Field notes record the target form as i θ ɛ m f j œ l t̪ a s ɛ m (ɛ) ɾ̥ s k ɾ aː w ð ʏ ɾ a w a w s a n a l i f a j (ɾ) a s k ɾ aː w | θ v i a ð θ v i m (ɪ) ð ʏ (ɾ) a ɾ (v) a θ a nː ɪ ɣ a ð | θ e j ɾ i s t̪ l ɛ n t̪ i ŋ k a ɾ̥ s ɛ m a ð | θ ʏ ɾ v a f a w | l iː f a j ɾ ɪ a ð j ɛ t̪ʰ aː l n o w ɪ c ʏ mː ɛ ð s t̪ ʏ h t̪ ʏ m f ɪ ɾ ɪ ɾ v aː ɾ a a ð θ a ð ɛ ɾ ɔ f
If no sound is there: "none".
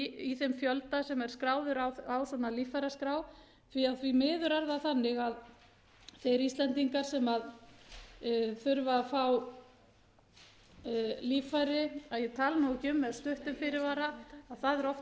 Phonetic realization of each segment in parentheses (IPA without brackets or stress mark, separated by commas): ɛ, ɾ, ɪː, ɾ, ð